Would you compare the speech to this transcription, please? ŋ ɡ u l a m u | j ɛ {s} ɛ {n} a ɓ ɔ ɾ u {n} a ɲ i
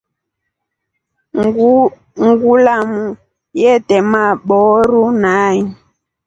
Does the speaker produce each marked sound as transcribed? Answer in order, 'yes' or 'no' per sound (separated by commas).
no, no, yes